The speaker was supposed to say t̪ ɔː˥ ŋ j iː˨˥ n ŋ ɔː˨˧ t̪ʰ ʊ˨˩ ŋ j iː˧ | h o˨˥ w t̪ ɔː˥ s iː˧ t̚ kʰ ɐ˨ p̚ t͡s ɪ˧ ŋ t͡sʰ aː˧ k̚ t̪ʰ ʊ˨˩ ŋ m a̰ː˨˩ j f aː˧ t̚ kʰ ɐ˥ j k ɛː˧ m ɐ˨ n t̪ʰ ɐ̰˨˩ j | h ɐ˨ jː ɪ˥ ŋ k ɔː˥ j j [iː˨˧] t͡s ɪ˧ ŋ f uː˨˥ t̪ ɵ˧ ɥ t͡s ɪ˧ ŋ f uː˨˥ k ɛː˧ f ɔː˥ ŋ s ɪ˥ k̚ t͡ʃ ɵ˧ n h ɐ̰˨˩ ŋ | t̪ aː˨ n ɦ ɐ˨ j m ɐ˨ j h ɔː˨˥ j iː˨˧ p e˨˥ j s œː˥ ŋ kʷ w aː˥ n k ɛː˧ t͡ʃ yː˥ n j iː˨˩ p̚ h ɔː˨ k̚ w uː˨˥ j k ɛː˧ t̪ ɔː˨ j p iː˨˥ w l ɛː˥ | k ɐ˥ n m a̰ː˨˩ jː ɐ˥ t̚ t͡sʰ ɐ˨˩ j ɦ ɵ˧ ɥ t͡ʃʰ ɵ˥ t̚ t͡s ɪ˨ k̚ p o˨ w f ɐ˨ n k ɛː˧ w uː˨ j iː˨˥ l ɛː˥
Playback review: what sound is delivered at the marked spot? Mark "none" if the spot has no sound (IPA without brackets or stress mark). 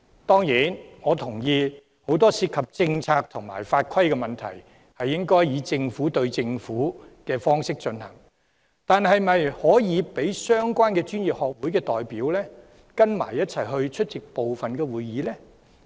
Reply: iː˨˧